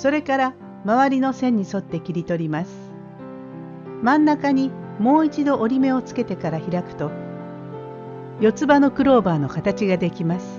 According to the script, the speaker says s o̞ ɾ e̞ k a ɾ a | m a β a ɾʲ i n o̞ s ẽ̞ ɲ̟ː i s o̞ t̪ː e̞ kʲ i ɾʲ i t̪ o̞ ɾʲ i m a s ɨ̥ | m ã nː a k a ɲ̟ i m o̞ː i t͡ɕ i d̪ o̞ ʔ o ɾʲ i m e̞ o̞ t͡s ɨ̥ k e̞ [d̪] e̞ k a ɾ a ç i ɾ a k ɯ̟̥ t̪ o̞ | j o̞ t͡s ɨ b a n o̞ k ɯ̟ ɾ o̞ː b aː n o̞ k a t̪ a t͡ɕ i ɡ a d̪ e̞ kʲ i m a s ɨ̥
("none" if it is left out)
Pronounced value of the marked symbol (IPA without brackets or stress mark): t̪